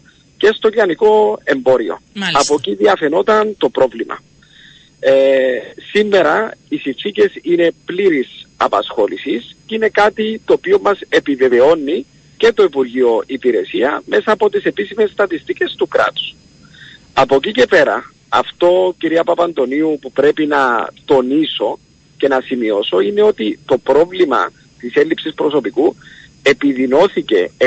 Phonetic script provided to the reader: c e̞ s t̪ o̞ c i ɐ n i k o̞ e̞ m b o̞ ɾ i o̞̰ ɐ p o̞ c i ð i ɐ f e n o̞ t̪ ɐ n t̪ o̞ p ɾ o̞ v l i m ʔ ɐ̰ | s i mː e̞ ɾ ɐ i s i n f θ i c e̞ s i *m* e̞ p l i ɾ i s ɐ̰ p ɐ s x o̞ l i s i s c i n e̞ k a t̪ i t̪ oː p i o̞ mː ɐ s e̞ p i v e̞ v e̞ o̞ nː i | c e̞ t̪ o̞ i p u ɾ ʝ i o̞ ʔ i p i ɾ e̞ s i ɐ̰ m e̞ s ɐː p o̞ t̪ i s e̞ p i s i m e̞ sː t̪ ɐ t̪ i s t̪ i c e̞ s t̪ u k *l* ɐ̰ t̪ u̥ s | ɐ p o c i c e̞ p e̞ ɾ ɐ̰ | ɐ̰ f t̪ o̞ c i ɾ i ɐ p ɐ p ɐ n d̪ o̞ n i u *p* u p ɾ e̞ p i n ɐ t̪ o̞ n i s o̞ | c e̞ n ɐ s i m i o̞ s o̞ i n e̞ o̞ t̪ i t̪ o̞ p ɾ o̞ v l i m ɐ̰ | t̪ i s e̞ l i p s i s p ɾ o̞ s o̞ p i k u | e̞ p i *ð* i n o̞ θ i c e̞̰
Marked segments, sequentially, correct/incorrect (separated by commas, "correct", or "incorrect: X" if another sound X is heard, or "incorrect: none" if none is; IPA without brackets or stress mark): incorrect: n, incorrect: ɾ, correct, correct